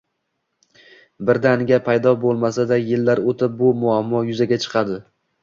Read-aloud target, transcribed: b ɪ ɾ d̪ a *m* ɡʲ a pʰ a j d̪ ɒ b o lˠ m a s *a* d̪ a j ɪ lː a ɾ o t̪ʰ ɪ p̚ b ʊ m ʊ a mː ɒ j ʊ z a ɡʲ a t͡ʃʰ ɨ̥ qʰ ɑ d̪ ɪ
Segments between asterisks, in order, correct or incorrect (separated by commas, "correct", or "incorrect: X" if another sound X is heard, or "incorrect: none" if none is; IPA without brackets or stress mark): incorrect: n, correct